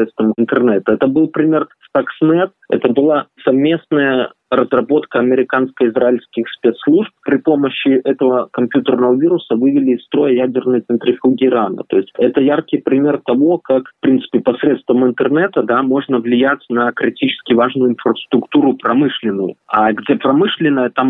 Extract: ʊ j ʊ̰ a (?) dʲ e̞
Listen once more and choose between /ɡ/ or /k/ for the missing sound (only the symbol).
ɡ